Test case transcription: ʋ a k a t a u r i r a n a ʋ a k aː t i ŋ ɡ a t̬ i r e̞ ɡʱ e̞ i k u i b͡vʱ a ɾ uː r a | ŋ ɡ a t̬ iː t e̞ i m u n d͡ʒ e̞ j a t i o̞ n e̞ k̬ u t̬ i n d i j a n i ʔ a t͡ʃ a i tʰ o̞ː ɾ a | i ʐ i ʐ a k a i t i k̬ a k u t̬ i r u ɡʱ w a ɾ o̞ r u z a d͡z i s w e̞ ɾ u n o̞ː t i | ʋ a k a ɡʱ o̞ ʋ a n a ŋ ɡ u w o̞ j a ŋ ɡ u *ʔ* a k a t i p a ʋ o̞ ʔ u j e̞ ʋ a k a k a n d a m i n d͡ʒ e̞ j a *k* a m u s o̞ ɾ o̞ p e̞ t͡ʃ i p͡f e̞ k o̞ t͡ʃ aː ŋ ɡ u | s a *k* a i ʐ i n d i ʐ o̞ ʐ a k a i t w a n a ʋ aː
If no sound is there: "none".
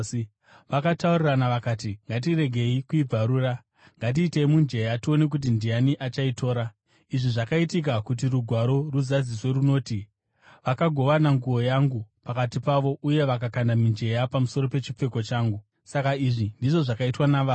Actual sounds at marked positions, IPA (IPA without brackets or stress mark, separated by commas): p, p, k